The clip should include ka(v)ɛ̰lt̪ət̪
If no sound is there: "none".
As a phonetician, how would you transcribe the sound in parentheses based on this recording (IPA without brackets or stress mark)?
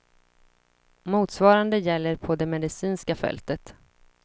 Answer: f